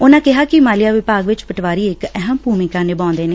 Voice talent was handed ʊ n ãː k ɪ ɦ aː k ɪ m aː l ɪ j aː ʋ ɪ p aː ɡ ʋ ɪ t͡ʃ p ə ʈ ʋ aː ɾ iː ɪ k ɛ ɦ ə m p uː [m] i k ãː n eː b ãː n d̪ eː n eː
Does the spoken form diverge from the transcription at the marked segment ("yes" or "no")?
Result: no